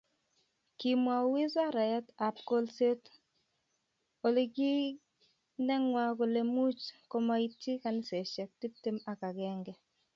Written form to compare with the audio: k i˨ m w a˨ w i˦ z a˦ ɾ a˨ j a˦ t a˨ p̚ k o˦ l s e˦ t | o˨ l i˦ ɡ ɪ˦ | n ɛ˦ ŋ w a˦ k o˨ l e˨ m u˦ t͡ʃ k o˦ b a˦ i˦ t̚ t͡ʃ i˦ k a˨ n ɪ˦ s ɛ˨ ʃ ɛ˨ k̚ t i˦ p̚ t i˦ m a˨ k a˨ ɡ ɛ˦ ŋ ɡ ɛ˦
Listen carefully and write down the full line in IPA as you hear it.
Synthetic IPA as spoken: k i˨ m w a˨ w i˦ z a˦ ɾ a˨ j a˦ t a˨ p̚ k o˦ l s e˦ t | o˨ l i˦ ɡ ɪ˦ | n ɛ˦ ŋ w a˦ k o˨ l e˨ m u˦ t͡ʃ k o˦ m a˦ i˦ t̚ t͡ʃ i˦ k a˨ n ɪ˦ s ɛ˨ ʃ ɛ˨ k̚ t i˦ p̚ t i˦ m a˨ k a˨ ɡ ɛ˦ ŋ ɡ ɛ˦